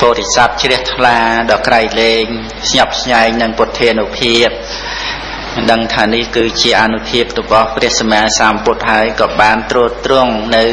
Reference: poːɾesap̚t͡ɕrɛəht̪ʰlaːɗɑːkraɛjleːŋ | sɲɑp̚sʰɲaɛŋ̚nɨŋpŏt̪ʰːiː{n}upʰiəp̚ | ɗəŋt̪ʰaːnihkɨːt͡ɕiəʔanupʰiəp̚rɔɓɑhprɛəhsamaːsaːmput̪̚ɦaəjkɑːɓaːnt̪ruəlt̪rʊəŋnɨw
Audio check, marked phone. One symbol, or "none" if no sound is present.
n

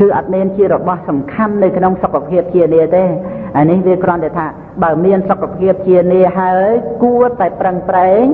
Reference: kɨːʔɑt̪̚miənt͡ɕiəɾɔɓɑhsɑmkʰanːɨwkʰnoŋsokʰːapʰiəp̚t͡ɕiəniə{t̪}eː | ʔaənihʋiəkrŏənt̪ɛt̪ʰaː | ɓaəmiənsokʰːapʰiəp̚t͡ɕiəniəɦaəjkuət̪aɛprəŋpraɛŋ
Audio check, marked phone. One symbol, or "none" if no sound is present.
t̪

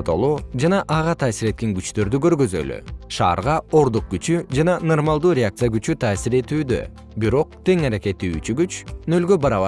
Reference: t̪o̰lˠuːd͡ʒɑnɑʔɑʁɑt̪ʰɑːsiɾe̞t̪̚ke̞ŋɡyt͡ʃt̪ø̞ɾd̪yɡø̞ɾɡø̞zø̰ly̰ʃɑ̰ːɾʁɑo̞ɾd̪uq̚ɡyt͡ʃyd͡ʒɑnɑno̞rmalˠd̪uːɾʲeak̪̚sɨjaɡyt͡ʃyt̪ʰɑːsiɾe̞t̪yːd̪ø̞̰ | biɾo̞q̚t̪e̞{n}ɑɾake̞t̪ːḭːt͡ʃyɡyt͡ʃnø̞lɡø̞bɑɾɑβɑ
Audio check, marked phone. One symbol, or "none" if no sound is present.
ŋ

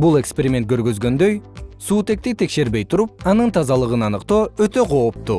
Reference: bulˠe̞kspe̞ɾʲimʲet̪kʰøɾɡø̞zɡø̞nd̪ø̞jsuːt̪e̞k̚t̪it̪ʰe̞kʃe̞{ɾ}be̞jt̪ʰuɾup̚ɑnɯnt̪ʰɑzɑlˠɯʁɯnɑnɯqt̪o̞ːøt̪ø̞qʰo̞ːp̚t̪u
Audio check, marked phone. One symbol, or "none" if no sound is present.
ɾ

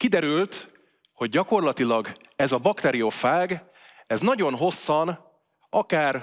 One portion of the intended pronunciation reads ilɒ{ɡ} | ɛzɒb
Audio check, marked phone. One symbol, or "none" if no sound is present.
ɡ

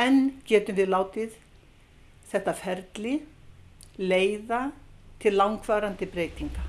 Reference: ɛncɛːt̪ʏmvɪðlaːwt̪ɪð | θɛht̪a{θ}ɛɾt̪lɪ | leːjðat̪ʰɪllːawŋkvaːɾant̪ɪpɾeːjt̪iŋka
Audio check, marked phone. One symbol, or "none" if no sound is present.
f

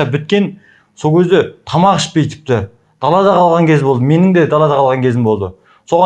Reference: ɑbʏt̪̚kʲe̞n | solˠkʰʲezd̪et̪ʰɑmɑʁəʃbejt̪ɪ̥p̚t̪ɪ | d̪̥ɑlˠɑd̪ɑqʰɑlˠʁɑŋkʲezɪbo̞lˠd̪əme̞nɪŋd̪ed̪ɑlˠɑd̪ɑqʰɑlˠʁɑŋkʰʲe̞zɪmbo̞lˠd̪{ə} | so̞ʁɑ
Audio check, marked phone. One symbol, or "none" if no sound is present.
ə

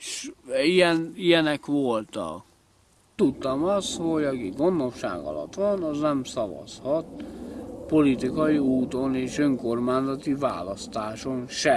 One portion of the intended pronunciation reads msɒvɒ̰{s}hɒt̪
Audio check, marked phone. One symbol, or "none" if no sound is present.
s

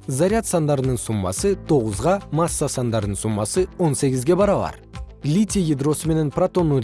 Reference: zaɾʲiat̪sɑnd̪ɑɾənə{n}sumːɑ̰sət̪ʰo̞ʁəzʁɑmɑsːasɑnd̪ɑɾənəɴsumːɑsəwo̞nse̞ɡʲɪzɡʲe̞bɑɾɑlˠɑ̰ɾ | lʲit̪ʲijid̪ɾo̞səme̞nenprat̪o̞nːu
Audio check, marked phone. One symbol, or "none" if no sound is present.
ɴ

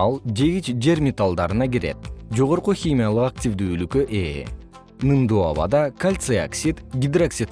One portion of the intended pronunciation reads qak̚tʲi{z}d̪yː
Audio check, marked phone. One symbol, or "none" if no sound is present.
v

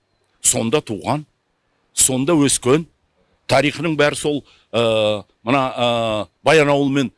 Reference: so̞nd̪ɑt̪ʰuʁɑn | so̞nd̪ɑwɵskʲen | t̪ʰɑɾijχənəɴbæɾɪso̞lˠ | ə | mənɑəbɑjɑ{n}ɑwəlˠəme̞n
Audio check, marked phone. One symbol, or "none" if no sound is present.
n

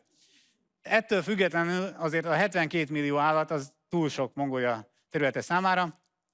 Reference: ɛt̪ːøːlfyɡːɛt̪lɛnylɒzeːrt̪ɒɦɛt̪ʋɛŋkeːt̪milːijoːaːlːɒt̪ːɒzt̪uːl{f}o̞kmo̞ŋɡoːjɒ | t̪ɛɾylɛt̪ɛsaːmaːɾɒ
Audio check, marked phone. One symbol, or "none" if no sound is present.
ʃ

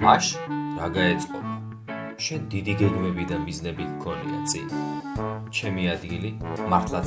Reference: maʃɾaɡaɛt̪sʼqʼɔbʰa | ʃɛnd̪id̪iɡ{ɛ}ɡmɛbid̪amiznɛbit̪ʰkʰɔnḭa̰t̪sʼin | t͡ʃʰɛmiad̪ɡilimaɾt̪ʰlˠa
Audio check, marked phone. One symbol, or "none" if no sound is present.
ɛ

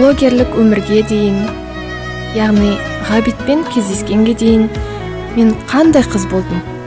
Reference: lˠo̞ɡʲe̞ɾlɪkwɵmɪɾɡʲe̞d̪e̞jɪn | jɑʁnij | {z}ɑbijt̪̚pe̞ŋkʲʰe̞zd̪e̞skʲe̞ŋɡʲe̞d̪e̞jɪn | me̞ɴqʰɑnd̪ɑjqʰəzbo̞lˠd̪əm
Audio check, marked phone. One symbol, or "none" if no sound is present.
ʁ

